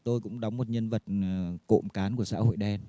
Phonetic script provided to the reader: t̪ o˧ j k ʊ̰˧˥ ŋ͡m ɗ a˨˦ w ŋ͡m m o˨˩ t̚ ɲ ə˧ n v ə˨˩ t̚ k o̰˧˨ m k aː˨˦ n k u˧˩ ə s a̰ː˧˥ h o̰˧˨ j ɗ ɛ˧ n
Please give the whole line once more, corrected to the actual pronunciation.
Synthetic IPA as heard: t̪ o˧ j k ʊ̰˧˥ ŋ͡m ɗ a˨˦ w ŋ͡m m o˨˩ t̚ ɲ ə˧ n v ə˨˩ t̚ k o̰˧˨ m k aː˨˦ n k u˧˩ ə s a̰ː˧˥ h o̰˧˨ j ɗ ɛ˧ n

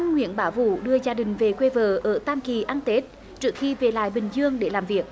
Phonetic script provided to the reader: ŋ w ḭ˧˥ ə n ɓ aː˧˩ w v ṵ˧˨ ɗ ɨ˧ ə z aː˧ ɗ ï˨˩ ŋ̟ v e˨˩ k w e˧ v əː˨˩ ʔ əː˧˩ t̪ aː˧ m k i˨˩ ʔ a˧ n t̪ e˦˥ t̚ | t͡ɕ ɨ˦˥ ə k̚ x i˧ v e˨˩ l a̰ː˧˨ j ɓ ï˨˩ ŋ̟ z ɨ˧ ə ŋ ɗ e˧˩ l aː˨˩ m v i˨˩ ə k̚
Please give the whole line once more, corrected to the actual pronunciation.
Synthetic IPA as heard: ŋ w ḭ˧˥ ə n ɓ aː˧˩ w v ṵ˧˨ ɗ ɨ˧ ə z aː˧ ɗ ï˨˩ ŋ̟ v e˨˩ k w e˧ v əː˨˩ ʔ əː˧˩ t̪ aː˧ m k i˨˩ ʔ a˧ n t̪ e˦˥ t̚ | t͡ɕ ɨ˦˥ ə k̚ x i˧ v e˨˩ l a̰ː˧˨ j ɓ ï˨˩ ŋ̟ z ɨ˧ ə ŋ ɗ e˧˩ l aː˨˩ m v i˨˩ ə k̚

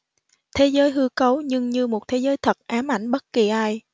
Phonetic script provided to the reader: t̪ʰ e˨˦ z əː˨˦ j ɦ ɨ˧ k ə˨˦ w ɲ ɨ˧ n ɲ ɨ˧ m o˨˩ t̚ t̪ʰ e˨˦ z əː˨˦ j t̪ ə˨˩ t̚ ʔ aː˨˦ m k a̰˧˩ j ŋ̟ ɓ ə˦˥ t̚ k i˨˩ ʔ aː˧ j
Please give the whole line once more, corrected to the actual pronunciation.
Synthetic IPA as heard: t̪ʰ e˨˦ z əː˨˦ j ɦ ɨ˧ k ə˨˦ w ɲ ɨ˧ ŋ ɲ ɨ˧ m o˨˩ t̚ t̪ʰ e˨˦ z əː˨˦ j t̪ʰ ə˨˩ t̚ ʔ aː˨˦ m ʔ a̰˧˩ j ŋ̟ ɓ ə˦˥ t̚ k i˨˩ ʔ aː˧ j

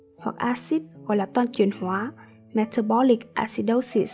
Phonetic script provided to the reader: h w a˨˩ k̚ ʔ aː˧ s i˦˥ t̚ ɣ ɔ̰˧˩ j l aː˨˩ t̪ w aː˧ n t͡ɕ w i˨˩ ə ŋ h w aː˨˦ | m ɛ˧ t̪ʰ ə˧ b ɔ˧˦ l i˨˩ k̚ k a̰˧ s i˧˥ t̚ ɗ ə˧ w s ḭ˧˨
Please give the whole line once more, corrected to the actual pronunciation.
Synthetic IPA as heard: h w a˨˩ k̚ ʔ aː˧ s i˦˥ t̚ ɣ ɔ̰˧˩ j l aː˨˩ t̪ w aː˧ n t͡ɕ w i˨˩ ə n h w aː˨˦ | m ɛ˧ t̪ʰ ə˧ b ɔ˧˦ l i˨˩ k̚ ʔ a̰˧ s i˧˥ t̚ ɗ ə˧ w s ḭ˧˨

